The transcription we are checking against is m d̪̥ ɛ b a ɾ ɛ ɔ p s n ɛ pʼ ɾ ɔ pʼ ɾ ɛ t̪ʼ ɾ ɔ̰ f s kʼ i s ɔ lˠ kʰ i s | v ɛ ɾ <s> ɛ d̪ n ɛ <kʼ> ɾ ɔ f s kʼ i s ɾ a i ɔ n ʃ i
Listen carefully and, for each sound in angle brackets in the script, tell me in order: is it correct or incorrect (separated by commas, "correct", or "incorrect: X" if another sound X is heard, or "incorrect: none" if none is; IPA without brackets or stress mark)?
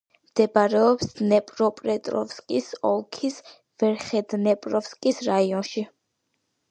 incorrect: χ, incorrect: pʼ